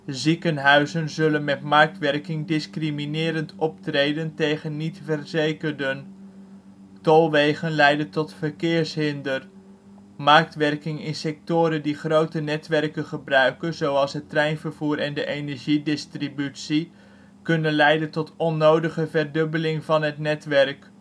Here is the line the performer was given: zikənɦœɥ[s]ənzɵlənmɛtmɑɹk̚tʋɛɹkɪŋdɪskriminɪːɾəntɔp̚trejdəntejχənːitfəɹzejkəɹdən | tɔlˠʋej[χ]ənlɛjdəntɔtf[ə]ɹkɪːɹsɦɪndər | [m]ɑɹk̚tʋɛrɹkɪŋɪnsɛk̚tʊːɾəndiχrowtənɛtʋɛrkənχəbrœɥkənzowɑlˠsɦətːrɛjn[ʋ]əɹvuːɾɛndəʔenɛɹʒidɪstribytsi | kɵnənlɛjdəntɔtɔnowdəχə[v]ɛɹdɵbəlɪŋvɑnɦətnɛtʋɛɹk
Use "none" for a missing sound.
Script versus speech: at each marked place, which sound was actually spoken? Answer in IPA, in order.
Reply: z, χ, ə, m, v, v

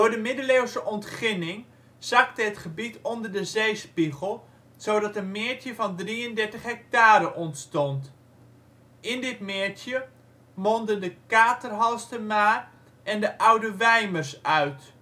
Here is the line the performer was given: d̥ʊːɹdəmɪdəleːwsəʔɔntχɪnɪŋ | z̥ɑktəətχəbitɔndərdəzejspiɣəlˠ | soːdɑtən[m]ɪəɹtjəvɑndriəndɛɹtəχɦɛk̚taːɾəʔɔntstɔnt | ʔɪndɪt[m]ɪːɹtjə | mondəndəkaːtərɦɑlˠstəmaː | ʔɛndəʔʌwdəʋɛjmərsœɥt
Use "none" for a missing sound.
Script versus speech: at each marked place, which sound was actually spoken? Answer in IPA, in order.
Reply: m, m

